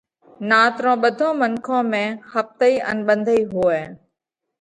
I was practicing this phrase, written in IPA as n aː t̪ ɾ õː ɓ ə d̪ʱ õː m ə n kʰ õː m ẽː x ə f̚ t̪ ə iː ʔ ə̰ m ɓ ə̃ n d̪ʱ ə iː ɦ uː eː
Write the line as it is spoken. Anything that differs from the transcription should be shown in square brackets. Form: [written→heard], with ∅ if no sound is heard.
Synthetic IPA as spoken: n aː t̪ ɾ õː ɓ ə d̪ʱ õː m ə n kʰ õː m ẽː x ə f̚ t̪ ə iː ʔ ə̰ [m→n] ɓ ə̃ n d̪ʱ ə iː ɦ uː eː